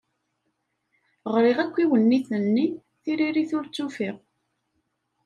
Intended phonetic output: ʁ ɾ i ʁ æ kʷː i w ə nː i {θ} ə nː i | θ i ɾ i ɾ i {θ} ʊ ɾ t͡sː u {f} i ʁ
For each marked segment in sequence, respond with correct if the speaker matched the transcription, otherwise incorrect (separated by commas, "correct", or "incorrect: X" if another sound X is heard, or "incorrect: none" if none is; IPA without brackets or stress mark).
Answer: correct, correct, correct